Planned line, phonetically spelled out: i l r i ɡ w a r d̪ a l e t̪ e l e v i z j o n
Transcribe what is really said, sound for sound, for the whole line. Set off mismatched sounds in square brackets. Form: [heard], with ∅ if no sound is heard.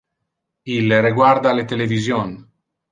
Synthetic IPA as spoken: i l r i ɡ w a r d̪ a l e t̪ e l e v i z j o n